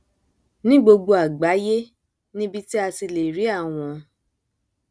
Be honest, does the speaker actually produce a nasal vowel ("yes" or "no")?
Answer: yes